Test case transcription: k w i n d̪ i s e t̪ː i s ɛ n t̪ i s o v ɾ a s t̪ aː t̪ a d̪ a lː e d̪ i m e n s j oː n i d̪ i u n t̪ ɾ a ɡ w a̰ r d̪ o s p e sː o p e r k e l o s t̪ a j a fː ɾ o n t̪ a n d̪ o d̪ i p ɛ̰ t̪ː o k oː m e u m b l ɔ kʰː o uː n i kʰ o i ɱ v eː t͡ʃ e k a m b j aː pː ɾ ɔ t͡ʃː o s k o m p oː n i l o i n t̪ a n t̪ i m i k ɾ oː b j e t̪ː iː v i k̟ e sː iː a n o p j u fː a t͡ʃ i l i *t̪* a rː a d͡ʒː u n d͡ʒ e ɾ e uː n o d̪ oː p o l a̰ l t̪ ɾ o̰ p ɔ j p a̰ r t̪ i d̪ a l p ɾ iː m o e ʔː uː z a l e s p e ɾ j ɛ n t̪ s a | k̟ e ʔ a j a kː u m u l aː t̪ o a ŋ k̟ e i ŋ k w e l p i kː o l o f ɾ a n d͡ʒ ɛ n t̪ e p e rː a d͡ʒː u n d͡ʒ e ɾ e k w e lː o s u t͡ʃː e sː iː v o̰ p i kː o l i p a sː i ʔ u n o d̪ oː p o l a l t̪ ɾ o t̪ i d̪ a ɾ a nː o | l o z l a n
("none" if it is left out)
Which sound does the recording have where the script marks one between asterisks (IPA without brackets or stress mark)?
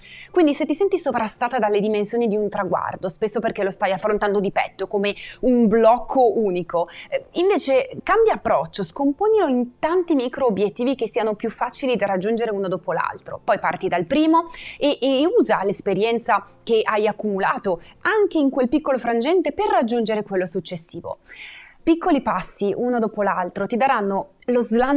d̪